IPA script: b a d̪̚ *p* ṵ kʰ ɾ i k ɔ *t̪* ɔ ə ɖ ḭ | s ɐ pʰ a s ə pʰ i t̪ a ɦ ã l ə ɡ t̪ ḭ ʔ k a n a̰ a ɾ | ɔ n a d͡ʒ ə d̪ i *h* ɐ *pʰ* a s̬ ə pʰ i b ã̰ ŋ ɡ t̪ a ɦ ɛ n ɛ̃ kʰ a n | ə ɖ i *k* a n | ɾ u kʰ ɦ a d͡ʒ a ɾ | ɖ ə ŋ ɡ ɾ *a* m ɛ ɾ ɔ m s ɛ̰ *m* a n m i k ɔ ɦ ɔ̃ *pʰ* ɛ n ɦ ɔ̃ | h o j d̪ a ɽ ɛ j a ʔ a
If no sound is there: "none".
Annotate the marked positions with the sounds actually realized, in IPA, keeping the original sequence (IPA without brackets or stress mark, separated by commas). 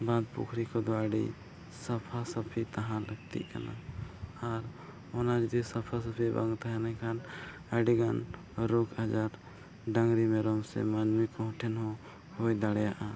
p, d̪, s, pʰ, ɡ, i, m, ʈʰ